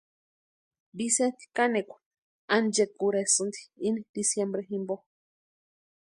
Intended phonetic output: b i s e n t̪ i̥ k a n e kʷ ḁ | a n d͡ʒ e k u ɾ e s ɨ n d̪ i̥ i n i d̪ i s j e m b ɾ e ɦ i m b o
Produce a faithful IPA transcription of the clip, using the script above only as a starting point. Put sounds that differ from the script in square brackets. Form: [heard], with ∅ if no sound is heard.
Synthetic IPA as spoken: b i s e n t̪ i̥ k a n e kʷ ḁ | a n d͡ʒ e k u ɾ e s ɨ n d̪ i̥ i n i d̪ i s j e m b ɾ e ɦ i m b o